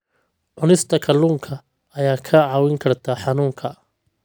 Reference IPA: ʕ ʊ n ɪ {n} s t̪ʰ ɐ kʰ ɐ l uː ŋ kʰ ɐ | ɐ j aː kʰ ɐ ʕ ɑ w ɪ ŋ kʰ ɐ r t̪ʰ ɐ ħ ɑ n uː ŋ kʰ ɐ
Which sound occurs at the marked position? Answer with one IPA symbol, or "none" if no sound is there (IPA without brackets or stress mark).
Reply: none